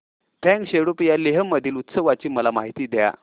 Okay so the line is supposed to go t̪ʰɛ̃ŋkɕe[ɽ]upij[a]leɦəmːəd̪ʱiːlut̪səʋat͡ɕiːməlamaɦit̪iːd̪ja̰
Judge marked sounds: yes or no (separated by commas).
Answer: yes, yes